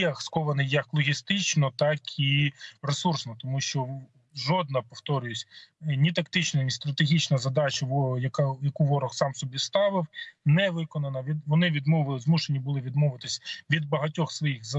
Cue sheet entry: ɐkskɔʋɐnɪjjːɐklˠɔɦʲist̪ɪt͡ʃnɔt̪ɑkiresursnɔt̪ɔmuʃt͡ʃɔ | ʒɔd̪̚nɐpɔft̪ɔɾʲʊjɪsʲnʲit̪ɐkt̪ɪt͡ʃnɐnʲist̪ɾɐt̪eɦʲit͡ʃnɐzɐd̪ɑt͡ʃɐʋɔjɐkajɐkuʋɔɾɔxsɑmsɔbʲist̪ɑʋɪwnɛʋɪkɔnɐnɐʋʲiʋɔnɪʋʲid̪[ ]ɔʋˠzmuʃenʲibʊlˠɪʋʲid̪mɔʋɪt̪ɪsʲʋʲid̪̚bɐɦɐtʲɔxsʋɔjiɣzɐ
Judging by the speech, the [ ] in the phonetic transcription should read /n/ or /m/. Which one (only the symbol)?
m